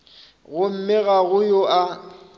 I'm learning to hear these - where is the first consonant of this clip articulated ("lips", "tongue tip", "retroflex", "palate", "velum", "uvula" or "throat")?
velum